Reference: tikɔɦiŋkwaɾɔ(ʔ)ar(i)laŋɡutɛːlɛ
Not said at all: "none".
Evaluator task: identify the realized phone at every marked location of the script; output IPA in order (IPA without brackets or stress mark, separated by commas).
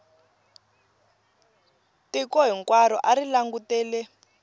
ʔ, i